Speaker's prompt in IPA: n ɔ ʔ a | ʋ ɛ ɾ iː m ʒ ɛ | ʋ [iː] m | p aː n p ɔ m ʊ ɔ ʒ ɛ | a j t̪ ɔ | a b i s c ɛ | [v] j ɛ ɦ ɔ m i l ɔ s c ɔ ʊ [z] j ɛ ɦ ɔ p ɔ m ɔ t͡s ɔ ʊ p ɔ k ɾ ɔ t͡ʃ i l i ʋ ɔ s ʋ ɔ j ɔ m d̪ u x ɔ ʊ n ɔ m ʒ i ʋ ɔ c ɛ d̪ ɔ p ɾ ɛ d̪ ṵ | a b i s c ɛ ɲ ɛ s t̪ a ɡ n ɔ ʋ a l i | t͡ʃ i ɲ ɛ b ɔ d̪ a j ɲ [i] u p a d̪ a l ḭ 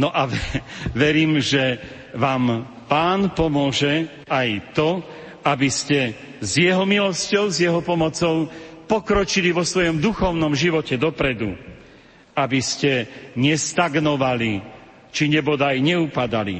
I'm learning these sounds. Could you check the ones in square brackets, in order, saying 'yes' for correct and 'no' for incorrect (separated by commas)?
no, no, yes, no